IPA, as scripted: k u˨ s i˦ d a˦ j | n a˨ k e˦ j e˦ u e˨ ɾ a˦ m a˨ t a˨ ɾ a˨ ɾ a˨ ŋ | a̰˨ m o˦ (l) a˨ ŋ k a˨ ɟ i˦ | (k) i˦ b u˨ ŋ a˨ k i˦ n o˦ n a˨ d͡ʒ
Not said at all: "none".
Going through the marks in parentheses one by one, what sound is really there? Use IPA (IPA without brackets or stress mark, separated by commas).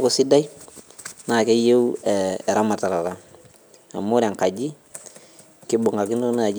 ɾ, k